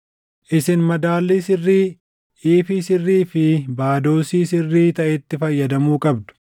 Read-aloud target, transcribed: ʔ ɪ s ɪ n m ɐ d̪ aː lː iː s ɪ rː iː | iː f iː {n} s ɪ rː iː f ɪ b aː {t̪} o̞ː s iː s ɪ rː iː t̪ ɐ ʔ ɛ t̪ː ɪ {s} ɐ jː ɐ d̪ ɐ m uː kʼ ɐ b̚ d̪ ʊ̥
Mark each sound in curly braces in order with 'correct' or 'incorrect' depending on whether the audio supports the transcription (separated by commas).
incorrect, incorrect, incorrect